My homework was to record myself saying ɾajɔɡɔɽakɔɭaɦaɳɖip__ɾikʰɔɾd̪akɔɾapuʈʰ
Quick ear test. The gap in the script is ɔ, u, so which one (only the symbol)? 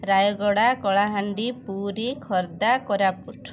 u